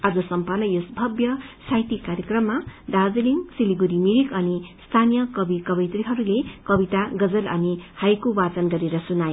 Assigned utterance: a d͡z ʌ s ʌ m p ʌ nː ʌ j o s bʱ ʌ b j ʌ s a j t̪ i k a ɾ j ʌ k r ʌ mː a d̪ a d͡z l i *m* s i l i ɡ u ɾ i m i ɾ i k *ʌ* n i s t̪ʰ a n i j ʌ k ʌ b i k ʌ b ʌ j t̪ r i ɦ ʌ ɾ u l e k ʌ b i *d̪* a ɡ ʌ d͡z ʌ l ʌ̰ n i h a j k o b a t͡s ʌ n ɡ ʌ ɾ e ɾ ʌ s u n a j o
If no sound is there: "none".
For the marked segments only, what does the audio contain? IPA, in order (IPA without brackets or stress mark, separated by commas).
ŋ, ʌ, t̪